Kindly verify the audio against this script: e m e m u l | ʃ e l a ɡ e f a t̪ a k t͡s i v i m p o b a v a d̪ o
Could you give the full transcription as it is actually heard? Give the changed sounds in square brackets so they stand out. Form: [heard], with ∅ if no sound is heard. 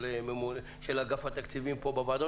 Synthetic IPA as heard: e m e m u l | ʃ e l a ɡ [a] f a t̪ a k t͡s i v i m p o b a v a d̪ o